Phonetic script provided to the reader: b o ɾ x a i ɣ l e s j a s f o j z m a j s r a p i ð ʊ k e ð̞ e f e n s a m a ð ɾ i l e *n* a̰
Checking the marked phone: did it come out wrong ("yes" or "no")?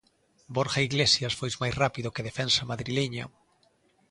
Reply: yes